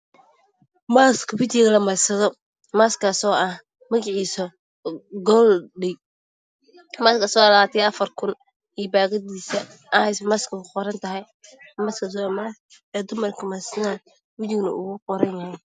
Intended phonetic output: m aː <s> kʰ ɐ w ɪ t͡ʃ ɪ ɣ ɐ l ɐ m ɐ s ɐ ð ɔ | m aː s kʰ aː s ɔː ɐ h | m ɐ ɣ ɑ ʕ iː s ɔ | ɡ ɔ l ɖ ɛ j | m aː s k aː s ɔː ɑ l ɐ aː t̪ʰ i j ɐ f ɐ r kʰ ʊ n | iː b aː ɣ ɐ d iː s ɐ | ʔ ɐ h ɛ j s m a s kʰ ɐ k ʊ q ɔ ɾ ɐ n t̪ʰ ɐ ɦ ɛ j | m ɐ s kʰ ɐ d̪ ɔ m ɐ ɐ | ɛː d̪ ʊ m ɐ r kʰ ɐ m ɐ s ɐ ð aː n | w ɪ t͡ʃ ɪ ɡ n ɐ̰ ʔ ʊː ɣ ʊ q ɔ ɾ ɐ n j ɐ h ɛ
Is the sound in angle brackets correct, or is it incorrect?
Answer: correct